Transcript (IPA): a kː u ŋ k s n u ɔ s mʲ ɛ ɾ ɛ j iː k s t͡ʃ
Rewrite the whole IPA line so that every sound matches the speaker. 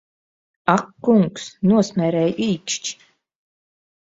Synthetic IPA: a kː u ŋ k s n u ɔ s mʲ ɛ ɾ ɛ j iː k ʃ t͡ʃ